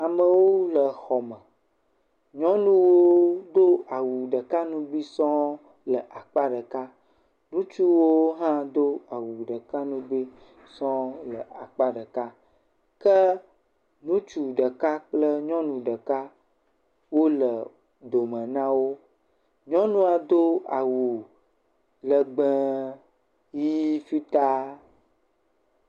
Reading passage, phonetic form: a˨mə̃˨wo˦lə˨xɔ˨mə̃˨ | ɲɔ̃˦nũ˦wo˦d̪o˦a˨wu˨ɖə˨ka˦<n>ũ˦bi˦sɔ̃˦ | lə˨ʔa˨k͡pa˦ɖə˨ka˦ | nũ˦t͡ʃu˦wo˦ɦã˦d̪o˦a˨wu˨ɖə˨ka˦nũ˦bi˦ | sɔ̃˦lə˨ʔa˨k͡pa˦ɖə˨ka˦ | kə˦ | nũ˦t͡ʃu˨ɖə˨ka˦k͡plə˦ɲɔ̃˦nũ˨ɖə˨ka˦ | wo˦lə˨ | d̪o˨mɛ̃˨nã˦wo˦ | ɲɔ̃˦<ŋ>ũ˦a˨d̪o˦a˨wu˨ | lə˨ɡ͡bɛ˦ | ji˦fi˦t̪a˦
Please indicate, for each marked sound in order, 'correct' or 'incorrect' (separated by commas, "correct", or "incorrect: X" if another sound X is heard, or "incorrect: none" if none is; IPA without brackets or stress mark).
correct, incorrect: n